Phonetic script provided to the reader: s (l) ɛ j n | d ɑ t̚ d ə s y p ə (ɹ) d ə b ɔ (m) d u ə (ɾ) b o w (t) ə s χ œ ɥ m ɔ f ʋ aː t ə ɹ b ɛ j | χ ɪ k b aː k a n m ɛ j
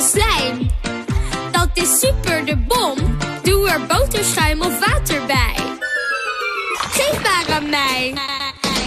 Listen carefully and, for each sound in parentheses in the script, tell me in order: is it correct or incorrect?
correct, correct, correct, incorrect: ɹ, correct

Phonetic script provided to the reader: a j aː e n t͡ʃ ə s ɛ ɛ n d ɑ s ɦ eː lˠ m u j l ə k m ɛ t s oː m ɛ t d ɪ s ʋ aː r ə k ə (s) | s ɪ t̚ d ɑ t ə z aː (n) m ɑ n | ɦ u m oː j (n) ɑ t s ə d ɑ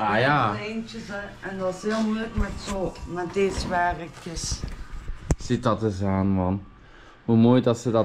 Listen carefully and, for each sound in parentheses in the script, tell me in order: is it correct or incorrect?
correct, correct, incorrect: d

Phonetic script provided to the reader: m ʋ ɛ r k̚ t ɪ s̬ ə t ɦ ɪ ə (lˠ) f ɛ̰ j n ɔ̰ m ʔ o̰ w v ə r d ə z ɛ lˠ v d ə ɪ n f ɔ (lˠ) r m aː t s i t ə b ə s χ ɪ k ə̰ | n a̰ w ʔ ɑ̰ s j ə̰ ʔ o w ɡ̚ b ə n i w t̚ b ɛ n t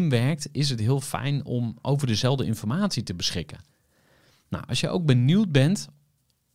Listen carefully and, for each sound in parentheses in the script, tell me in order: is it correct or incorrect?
correct, incorrect: none

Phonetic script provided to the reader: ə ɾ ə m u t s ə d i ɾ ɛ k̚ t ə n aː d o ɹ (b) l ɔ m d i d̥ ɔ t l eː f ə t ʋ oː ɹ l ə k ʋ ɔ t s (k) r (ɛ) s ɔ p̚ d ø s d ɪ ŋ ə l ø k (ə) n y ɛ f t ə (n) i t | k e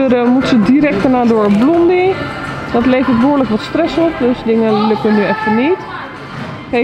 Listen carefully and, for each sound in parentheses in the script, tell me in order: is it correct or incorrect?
correct, incorrect: t, correct, correct, correct

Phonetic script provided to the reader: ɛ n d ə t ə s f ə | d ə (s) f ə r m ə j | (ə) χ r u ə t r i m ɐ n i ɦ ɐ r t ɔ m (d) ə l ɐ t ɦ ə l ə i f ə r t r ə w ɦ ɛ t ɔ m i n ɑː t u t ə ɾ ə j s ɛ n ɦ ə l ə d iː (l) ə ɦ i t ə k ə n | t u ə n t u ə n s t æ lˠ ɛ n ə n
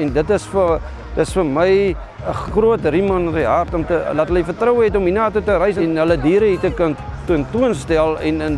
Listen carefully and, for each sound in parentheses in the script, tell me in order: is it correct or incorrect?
correct, correct, incorrect: t, incorrect: ɾ

